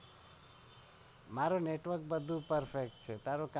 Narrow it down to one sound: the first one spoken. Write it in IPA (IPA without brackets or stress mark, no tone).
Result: m